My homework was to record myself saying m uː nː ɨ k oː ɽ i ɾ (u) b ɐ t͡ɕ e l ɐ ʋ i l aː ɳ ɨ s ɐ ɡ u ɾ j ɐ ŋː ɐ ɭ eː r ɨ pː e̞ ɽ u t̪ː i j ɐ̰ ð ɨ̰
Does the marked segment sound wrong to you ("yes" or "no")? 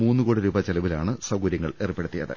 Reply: yes